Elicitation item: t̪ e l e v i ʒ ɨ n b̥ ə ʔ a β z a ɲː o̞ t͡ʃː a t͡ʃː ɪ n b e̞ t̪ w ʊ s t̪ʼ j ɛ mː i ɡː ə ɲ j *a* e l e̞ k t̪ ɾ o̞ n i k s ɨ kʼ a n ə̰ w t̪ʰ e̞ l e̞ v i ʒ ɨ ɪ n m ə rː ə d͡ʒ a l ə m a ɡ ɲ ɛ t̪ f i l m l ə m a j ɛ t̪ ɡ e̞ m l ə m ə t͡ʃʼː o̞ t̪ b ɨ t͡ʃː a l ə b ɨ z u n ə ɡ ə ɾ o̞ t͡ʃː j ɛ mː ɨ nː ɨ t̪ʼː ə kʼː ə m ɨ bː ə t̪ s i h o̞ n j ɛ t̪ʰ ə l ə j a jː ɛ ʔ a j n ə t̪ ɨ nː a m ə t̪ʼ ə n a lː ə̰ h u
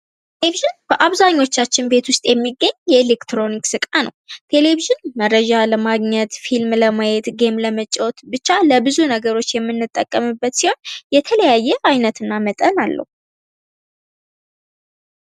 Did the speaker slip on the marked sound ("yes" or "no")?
yes